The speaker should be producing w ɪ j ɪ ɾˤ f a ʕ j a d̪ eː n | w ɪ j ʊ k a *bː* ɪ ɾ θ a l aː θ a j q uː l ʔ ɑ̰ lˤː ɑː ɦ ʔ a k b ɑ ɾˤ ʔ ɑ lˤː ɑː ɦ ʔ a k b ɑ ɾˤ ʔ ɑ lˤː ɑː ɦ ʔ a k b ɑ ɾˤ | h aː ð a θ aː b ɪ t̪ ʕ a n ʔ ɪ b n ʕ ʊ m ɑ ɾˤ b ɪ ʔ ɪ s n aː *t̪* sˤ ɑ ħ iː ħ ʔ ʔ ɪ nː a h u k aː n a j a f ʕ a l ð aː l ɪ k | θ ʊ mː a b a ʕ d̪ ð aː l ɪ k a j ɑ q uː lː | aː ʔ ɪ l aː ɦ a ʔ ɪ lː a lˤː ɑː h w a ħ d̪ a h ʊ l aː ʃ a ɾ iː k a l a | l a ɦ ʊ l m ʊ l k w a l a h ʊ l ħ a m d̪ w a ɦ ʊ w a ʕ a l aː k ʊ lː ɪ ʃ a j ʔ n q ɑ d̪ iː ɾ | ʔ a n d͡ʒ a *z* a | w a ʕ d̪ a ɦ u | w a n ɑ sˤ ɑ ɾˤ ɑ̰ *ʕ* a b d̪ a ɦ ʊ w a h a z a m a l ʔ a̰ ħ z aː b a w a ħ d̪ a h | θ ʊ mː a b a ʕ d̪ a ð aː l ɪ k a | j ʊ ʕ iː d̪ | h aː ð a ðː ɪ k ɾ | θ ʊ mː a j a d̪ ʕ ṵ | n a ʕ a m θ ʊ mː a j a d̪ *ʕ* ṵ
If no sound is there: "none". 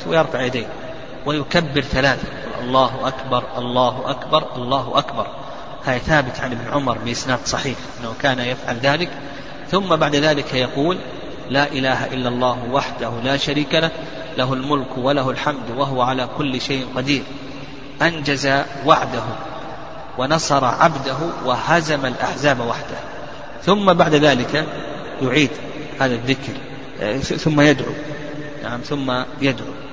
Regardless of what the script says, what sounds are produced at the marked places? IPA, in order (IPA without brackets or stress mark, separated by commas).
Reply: bː, d̪, z, ʕ, ʕ